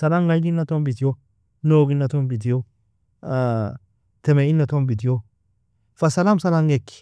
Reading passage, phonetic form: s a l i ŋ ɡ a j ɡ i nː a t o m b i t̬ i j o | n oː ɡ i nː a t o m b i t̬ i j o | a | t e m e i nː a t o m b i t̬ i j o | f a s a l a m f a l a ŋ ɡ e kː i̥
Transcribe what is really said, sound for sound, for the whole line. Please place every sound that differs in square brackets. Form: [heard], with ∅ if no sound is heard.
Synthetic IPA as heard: s a l [a] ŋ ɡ a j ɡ i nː a t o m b i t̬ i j o | n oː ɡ i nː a t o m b i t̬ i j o | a | t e m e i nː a t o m b i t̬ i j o | f a s a l a m [s] a l a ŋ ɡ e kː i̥